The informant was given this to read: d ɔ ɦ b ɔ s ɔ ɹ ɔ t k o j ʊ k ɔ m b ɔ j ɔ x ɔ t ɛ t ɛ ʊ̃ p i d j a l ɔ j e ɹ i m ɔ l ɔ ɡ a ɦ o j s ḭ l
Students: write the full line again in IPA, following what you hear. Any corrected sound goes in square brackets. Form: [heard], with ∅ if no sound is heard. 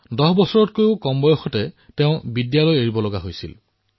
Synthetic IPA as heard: d ɔ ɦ b ɔ s ɔ ɹ ɔ t k o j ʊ k ɔ m b ɔ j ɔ x ɔ t ɛ t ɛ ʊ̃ [b] i d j a l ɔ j e ɹ i [b] ɔ l ɔ ɡ a ɦ o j s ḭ l